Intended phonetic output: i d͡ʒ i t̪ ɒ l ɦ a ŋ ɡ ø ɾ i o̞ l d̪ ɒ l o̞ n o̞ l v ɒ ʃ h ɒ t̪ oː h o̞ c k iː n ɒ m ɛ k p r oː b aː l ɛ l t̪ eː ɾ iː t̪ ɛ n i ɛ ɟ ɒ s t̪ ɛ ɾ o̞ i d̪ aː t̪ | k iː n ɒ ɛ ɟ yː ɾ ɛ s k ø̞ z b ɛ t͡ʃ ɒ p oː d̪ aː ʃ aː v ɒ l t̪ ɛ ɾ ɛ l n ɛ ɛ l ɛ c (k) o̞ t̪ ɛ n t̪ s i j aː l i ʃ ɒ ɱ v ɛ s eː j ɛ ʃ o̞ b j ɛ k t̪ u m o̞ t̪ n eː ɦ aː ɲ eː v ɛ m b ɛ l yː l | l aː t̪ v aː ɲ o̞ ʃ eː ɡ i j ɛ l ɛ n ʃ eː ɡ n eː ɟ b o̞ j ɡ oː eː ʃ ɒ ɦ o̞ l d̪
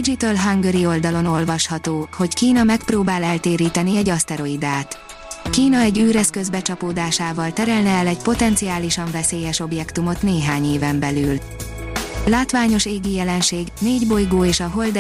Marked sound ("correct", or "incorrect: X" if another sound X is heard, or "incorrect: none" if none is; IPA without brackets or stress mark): incorrect: p